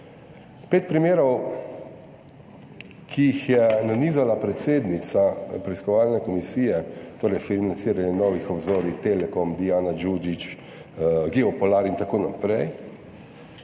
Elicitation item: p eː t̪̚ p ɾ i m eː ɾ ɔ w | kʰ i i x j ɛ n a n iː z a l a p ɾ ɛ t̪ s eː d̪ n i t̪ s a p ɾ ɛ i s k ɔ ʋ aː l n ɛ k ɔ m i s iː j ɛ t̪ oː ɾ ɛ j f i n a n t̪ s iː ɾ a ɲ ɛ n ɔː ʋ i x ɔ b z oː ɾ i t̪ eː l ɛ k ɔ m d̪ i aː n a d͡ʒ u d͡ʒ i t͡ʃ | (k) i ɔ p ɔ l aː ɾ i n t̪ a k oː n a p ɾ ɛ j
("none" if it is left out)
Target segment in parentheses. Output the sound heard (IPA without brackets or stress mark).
ɡ